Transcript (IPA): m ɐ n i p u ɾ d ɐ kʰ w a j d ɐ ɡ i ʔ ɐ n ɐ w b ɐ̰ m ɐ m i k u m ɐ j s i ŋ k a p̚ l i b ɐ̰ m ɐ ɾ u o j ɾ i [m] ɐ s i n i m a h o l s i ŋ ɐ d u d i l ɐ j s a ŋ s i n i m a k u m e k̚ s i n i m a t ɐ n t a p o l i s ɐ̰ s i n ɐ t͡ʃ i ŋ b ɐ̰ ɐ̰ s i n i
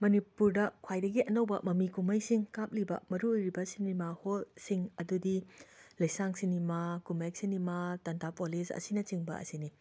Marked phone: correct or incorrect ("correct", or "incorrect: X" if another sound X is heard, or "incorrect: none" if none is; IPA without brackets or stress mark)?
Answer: incorrect: b